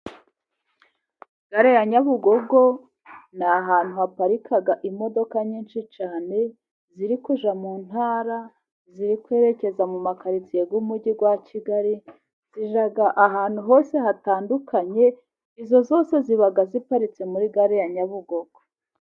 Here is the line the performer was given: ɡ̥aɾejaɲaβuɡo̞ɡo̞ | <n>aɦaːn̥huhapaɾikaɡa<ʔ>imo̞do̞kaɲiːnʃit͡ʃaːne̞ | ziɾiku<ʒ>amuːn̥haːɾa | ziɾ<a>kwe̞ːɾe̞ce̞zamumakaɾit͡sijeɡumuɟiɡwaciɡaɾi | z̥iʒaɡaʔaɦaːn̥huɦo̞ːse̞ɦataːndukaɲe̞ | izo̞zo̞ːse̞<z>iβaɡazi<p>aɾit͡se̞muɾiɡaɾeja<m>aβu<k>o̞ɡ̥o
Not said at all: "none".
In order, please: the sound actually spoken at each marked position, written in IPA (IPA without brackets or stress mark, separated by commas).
n, ʔ, ʒ, i, z, p, ɲ, ɡ